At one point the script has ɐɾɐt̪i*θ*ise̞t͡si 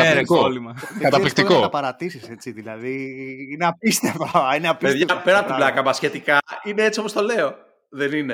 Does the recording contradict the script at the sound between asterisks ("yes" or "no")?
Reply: yes